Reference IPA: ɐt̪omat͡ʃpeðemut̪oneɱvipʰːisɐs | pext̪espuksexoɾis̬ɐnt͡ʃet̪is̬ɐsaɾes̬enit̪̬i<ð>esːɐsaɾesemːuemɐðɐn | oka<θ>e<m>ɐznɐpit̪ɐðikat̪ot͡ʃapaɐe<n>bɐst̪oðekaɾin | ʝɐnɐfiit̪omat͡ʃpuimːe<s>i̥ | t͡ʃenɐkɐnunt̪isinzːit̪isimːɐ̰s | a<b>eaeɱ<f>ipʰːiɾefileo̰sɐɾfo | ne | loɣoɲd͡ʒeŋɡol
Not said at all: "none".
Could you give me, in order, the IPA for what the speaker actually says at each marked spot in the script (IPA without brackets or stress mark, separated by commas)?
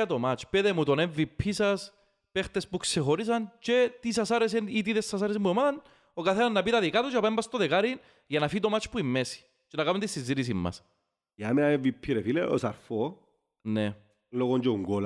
ð, θ, n, m, s, m, v